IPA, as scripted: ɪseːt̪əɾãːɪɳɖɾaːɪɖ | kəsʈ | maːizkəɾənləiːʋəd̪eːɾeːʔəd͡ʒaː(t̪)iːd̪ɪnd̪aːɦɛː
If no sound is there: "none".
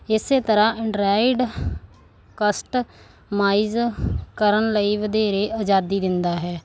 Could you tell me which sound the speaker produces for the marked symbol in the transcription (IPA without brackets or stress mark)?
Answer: d̪